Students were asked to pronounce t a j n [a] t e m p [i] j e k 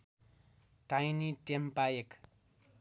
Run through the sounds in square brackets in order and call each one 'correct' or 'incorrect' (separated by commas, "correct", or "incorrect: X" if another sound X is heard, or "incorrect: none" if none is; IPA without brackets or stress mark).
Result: incorrect: i, incorrect: a